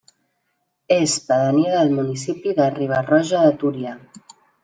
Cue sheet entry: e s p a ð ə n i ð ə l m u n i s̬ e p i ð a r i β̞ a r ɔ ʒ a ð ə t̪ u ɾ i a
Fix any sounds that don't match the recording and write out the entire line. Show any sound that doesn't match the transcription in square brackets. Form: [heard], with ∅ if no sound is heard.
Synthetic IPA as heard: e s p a ð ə n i ð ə l m u n i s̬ [i] p i ð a r i β̞ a r ɔ ʒ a ð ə t̪ u ɾ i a